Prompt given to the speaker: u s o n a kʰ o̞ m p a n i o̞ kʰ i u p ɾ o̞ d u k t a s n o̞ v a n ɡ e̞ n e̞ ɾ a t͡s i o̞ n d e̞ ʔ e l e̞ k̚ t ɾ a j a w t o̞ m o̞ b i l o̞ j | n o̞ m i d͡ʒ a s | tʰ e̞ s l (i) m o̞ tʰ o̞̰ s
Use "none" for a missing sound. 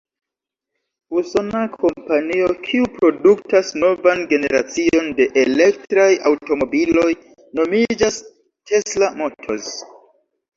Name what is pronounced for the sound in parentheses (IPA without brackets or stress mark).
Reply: a